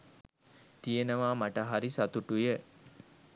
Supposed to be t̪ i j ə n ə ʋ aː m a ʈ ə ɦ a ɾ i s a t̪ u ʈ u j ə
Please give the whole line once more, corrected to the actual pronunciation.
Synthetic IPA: t̪ i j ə n ə ʋ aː m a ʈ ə ɦ a ɾ i s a t̪ u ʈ u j ə